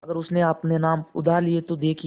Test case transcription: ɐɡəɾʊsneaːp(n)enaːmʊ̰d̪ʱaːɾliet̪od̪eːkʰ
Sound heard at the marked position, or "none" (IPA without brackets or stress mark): n